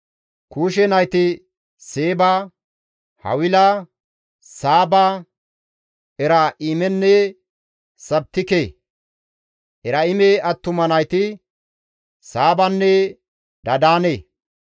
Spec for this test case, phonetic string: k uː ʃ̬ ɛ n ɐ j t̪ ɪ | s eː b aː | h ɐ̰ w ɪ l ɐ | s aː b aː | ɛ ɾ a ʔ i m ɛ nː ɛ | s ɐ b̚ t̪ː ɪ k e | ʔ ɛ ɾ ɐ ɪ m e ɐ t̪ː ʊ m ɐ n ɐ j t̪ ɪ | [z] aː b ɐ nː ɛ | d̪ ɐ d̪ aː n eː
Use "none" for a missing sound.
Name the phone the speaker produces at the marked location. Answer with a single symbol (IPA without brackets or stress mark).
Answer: s